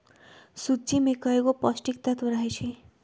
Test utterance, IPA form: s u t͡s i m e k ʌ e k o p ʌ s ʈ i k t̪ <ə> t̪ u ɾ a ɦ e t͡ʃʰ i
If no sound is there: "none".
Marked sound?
a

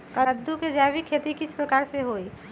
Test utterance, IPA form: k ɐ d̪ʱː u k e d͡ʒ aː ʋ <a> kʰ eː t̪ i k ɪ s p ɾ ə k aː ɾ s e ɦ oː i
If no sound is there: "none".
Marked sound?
i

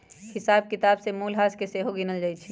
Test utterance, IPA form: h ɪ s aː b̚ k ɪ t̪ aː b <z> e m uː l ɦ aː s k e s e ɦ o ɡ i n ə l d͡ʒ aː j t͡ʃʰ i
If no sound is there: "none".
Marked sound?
s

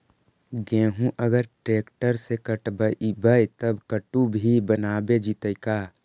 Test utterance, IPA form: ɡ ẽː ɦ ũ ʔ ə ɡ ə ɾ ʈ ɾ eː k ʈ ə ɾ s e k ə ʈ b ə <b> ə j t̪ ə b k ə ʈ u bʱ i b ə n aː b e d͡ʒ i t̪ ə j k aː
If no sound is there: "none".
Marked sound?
b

